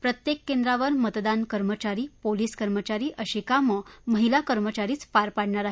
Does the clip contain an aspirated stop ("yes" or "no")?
no